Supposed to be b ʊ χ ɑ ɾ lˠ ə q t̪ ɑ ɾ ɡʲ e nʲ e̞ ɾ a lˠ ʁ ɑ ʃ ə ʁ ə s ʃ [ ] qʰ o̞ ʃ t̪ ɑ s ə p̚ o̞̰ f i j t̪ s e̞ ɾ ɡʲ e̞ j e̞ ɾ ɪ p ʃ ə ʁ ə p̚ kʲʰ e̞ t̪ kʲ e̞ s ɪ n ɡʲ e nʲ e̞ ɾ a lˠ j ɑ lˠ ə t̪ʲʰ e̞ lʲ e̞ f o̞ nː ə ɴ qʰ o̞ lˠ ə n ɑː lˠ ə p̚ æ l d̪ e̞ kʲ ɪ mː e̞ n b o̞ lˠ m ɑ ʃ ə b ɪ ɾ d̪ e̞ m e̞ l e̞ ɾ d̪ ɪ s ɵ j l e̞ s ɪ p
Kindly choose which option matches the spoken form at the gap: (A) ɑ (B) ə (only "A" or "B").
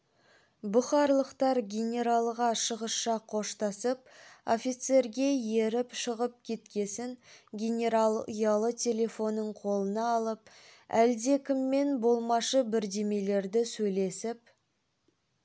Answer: A